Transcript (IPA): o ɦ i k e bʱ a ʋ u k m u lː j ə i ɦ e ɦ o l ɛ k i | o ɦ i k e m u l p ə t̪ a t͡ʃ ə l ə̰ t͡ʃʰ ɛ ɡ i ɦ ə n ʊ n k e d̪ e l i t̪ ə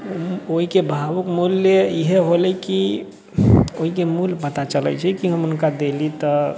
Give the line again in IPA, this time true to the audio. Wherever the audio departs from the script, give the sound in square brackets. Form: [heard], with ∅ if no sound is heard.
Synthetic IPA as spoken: o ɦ i k e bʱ a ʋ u k m u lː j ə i ɦ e ɦ o l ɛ k i | o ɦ i k e m u l p ə t̪ a t͡ʃ ə l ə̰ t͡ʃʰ ɛ [k] i ɦ ə [m] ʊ n k [a] d̪ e l i t̪ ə